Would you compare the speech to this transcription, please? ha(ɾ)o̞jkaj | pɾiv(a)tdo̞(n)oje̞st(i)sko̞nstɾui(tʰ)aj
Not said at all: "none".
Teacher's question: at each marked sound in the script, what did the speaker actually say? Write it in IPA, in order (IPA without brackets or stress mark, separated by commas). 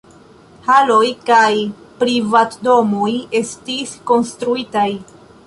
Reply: l, a, m, i, t